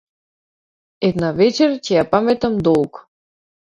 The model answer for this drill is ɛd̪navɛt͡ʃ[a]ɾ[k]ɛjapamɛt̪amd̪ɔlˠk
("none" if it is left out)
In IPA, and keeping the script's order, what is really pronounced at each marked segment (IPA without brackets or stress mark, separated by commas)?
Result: ɛ, c